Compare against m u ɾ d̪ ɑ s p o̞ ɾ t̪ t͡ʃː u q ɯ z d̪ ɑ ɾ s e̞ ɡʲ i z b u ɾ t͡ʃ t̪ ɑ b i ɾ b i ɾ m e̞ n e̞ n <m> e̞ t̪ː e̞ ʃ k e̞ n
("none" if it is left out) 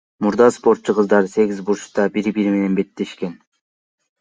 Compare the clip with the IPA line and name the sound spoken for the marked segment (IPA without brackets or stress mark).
b